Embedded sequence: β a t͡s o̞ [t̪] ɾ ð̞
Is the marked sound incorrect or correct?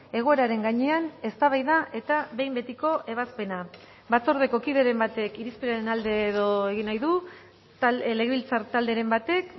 incorrect